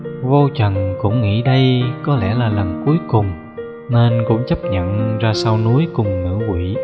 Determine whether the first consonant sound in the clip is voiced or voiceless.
voiced